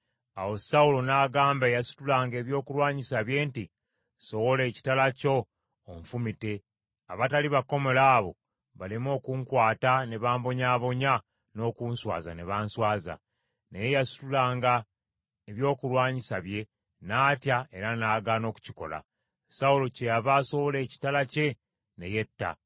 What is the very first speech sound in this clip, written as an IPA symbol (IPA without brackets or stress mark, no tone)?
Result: a